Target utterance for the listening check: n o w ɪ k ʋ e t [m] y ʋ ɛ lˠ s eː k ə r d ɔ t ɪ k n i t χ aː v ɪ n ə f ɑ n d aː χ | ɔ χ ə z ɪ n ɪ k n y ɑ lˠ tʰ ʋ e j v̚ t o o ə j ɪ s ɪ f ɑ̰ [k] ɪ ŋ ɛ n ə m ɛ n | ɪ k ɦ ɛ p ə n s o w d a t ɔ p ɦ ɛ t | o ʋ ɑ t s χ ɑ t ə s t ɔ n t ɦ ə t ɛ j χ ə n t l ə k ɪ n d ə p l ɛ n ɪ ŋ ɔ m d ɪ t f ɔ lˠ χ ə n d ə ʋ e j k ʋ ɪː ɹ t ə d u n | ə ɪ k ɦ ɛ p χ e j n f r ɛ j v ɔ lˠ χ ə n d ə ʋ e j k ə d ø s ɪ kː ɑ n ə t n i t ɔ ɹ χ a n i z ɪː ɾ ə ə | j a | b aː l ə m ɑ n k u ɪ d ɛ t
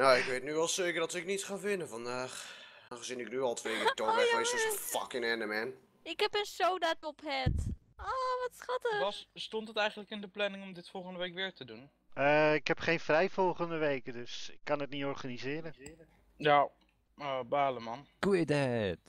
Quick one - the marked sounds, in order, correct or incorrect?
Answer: incorrect: n, correct

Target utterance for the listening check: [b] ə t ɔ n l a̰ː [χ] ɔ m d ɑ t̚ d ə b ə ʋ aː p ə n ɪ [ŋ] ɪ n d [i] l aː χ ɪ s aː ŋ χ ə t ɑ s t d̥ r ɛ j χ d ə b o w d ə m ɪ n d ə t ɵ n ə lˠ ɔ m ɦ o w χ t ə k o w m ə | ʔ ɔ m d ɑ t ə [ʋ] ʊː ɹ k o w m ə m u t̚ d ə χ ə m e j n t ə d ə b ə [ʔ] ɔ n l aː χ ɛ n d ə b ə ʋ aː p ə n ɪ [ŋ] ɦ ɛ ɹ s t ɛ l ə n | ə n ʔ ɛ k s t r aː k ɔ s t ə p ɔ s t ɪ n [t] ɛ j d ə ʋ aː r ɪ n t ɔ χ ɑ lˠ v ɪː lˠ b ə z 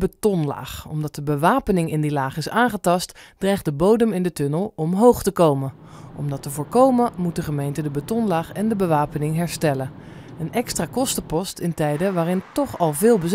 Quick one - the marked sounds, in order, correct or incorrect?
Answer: correct, correct, correct, correct, incorrect: v, incorrect: t, correct, correct

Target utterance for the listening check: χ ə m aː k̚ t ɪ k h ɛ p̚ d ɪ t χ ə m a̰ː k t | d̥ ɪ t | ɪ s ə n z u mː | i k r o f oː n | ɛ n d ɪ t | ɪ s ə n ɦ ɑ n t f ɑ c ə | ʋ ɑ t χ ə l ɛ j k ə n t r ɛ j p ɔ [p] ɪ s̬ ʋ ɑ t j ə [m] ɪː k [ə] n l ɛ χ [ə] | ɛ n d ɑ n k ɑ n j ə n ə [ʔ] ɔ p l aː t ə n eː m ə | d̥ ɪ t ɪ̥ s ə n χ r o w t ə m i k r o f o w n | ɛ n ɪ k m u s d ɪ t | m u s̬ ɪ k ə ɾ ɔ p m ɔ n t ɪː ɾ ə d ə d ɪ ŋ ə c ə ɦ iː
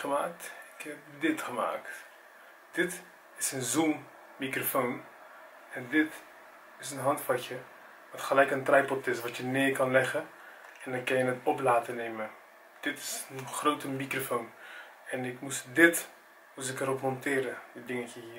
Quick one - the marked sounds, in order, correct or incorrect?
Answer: incorrect: t, incorrect: n, incorrect: ɑ, correct, incorrect: t

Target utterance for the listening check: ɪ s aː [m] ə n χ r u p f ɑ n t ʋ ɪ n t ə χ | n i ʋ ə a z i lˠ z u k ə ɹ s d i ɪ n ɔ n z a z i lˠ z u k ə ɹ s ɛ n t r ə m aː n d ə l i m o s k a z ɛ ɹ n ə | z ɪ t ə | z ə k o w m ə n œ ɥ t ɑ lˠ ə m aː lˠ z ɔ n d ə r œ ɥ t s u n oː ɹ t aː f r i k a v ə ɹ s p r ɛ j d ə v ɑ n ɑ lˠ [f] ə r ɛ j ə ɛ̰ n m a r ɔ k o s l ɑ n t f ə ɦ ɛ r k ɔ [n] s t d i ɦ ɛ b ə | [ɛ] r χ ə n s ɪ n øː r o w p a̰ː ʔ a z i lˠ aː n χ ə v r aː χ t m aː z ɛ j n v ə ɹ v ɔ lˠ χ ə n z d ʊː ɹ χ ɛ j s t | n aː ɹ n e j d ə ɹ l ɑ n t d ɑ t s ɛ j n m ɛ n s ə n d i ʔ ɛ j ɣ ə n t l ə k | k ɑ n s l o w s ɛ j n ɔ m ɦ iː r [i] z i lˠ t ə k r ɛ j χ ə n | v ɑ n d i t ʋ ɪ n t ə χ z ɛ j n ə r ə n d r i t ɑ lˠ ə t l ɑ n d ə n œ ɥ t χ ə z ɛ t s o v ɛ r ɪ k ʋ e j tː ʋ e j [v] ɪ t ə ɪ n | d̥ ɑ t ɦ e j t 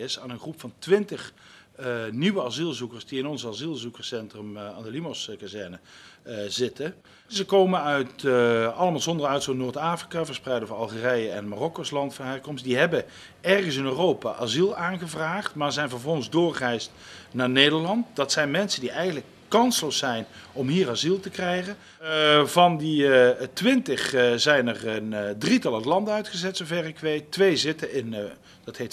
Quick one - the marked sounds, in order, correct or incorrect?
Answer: incorrect: n, incorrect: χ, incorrect: m, correct, incorrect: a, incorrect: z

